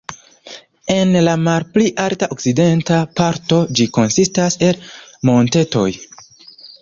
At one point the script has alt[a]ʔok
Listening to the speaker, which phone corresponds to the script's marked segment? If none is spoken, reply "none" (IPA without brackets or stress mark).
a